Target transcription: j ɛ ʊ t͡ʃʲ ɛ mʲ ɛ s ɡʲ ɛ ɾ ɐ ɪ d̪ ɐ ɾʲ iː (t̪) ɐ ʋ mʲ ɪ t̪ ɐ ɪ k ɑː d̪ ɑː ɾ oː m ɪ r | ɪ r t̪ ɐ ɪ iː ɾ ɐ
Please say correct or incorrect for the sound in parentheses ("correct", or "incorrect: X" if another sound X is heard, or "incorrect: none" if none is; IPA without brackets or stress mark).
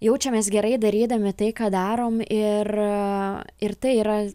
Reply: incorrect: d̪